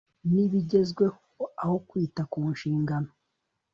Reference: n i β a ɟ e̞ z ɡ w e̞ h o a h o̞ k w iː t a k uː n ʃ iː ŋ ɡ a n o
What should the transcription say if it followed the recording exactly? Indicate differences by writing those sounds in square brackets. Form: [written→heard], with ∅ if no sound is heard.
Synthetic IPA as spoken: n i β [a→i] ɟ e̞ z ɡ w e̞ h o a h o̞ k w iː t a k uː n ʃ iː ŋ ɡ a n o